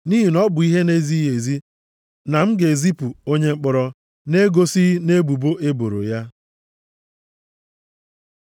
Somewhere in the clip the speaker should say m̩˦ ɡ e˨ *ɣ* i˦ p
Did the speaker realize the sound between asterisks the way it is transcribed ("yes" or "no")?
no